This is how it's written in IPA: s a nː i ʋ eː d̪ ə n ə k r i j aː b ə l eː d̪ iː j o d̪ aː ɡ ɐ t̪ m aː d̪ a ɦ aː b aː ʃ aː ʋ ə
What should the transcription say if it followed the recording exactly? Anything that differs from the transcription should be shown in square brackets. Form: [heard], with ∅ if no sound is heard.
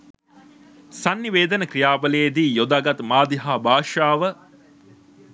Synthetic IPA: s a nː i ʋ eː d̪ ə n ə k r i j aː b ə l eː d̪ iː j o d̪ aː ɡ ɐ t̪ m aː d̪ [i] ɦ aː b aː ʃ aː ʋ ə